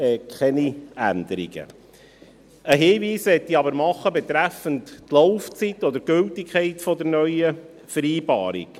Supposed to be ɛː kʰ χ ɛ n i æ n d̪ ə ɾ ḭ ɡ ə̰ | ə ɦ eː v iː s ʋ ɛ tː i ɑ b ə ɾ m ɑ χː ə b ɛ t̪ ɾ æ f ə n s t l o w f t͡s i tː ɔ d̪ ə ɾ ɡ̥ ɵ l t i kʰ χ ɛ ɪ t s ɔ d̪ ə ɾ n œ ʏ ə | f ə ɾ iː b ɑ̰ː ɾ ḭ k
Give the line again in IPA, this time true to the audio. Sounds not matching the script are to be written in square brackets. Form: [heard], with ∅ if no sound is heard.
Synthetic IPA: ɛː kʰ χ ɛ n i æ n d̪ ə ɾ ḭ ɡ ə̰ | ə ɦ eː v iː s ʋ ɛ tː i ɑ b ə ɾ m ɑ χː ə b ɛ t̪ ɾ æ f ə n [t] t l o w f t͡s i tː ɔ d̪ ə ɾ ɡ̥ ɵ l t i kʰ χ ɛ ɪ t [f] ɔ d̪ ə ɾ n œ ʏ ə | f ə ɾ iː b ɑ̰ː ɾ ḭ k